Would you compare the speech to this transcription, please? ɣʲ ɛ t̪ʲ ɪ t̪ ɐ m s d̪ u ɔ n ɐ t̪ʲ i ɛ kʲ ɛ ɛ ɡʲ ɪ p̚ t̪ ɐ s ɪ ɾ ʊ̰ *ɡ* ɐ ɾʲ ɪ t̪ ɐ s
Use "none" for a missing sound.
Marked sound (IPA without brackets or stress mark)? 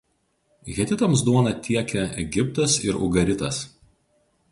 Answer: ɡ